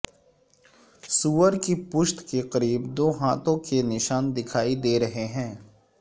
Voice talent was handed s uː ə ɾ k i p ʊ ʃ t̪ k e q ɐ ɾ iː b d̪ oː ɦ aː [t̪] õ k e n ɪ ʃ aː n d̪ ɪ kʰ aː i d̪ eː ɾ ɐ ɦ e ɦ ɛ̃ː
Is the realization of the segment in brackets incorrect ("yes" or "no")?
no